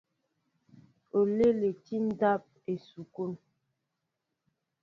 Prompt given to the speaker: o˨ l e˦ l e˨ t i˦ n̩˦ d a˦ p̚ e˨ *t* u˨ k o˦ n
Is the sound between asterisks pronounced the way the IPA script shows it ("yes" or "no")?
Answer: no